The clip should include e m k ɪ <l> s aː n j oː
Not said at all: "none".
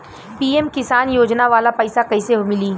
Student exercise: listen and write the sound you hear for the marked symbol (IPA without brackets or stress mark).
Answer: none